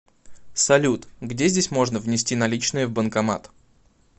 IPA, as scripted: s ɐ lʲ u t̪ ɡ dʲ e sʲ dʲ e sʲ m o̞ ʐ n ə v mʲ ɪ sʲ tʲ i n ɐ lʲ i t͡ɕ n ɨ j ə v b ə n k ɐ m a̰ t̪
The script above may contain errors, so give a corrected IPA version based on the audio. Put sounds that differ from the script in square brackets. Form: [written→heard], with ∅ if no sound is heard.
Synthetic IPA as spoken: s ɐ lʲ u t̪ ɡ dʲ e [sʲ→zʲ] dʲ e sʲ m o̞ ʐ n ə v [mʲ→nʲ] ɪ sʲ tʲ i n ɐ lʲ i t͡ɕ n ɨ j ə v b ə n k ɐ m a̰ t̪